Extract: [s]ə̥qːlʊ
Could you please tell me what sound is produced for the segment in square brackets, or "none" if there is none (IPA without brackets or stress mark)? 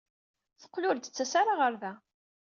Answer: θ